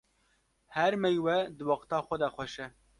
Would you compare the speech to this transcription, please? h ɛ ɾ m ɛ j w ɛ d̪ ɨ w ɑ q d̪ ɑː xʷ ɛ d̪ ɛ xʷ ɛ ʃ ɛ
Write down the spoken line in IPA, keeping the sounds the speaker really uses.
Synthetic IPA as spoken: h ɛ ɾ m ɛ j w ɛ d̪ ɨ w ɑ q t̪ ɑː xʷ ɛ d̪ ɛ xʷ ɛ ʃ ɛ